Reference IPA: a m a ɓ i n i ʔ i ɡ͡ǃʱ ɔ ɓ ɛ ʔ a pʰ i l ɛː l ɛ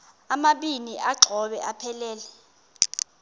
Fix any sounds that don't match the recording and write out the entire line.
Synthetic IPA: a m a ɓ i n i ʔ a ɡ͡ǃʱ ɔ ɓ ɛ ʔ a pʰ ɛ l ɛː l ɛ